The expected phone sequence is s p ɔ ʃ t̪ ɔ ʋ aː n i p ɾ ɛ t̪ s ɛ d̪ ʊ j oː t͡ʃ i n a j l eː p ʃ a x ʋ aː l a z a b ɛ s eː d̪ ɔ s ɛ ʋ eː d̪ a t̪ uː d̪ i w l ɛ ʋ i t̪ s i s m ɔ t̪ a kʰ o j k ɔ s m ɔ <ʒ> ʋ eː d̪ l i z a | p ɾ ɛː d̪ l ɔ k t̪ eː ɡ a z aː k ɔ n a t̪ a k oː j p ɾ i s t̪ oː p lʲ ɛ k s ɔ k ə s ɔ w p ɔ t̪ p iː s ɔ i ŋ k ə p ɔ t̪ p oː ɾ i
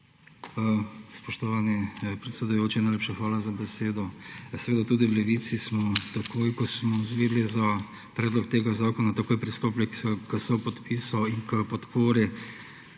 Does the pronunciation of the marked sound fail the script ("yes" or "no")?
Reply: yes